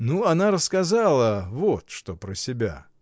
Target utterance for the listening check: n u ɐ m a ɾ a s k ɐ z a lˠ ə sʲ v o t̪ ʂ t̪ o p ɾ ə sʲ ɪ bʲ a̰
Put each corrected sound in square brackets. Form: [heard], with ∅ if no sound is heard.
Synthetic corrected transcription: n u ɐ [n] a ɾ [ə] s k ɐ z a lˠ ə [∅] v o t̪ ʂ t̪ o p ɾ ə sʲ ɪ bʲ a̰